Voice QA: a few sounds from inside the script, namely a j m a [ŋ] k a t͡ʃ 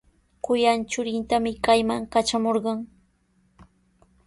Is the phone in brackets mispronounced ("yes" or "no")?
no